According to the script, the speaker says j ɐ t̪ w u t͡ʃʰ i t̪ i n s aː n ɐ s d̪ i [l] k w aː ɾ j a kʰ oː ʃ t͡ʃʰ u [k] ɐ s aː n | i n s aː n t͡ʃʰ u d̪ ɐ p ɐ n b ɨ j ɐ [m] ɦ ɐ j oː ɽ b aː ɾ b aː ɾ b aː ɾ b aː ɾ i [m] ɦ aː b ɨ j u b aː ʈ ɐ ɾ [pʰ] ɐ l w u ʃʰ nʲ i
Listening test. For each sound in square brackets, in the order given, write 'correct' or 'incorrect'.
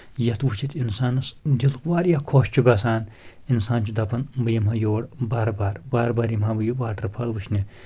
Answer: correct, incorrect, correct, correct, correct

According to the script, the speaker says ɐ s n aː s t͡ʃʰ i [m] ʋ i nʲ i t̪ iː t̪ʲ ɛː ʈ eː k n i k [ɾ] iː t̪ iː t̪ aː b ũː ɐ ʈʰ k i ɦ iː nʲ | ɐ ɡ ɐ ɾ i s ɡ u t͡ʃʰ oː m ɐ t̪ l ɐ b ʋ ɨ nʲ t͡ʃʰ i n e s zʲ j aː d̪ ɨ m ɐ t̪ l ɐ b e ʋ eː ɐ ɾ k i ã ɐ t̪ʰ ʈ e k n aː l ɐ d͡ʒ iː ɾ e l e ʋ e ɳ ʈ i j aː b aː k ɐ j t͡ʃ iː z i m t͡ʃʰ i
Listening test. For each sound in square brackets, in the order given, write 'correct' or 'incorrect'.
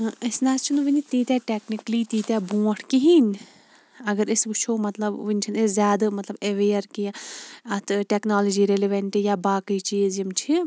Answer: incorrect, incorrect

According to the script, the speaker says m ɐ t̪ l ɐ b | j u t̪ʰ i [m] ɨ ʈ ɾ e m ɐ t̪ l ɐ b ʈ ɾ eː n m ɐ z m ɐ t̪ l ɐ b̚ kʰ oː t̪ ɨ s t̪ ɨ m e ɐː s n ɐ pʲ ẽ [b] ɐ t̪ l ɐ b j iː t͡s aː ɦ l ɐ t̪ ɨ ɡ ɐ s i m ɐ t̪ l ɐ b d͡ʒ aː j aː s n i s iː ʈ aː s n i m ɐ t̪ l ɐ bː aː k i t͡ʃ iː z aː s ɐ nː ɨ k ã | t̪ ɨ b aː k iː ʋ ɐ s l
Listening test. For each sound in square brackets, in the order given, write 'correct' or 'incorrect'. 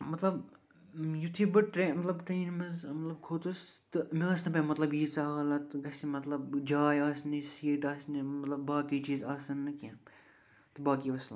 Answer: incorrect, incorrect

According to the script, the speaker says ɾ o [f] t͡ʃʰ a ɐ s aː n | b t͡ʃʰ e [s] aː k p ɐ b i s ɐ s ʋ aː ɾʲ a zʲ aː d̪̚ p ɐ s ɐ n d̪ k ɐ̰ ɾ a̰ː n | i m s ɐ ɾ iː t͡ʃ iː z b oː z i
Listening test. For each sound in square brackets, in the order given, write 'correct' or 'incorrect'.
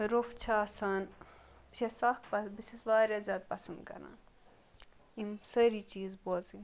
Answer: correct, correct

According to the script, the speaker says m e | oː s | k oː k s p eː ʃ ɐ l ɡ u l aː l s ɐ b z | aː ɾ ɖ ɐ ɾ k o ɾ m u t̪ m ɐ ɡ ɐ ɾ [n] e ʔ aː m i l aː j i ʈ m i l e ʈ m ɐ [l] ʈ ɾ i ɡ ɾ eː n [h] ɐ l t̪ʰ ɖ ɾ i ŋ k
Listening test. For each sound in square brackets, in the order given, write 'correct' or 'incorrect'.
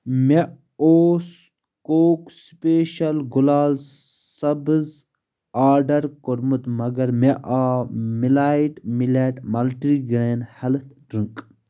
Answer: incorrect, correct, correct

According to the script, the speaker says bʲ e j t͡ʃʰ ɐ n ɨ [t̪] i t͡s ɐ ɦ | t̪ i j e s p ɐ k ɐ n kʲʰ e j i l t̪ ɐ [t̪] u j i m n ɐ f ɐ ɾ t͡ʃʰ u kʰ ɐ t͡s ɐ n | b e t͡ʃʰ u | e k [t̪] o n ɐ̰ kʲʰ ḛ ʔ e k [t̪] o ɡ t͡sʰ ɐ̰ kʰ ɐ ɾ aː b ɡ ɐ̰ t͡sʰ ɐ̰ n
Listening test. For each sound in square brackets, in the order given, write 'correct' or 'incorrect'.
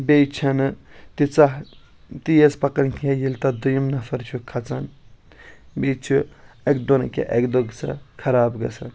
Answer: correct, incorrect, incorrect, incorrect

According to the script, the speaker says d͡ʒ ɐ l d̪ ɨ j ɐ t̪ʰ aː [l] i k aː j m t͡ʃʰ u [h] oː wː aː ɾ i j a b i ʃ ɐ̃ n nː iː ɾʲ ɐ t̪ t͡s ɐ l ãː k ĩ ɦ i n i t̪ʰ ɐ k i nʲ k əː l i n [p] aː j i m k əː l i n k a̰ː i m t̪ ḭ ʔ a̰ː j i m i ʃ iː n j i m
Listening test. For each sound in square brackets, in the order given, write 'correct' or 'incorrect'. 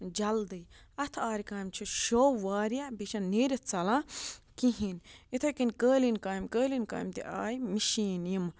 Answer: incorrect, incorrect, incorrect

